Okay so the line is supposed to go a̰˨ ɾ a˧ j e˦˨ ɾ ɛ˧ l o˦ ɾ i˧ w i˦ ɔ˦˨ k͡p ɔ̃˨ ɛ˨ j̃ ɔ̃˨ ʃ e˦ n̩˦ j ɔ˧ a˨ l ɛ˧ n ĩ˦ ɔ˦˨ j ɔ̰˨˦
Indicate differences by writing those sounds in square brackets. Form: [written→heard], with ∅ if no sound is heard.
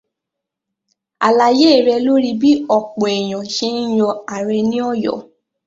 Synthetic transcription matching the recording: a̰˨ [ɾ→l] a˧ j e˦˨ ɾ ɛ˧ l o˦ ɾ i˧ [w→b] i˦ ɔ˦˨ k͡p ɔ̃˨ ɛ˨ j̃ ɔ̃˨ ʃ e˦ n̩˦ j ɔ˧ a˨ [l→ɾ] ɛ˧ n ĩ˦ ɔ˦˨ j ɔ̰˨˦